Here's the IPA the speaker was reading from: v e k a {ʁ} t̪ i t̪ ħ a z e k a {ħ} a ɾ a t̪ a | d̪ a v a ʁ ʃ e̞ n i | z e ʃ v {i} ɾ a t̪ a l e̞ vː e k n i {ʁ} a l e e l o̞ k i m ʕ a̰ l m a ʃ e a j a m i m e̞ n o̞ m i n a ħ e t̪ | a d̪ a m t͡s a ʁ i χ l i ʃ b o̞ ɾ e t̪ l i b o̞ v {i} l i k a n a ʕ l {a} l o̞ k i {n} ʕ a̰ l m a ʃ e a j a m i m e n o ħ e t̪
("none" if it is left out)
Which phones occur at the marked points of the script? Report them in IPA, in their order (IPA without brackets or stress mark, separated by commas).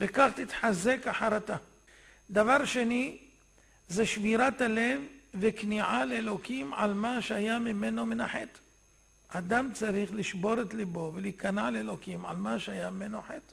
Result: χ, ħ, i, ʕ, e, e, m